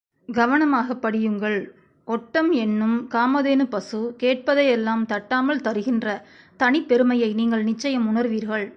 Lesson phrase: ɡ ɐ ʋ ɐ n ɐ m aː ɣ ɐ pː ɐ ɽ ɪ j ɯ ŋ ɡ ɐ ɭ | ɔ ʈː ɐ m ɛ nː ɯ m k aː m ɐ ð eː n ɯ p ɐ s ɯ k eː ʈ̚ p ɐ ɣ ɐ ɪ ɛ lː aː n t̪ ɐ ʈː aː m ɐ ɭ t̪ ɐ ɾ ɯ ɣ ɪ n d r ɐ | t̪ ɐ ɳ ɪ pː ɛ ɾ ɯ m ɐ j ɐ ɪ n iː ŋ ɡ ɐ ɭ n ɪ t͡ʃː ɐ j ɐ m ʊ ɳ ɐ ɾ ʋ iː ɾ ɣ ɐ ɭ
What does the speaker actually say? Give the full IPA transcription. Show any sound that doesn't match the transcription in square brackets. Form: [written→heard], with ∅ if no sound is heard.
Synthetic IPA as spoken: ɡ ɐ ʋ ɐ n ɐ m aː ɣ ɐ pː ɐ ɽ ɪ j ɯ ŋ ɡ ɐ ɭ | ɔ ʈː ɐ m ɛ nː ɯ m k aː m ɐ ð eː n ɯ p ɐ s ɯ k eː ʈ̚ p ɐ [ɣ→ð] ɐ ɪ ɛ lː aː [n→m] t̪ ɐ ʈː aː m ɐ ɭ t̪ ɐ ɾ ɯ ɣ ɪ n d r ɐ | t̪ ɐ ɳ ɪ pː ɛ ɾ ɯ m ɐ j ɐ ɪ n iː ŋ ɡ ɐ ɭ n ɪ t͡ʃː ɐ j ɐ m ʊ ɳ ɐ ɾ ʋ iː ɾ ɣ ɐ ɭ